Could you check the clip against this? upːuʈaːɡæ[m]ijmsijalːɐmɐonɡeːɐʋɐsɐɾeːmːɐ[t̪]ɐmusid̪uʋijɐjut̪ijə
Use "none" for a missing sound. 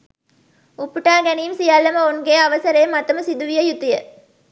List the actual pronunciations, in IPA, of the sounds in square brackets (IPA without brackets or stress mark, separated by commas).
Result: n, t̪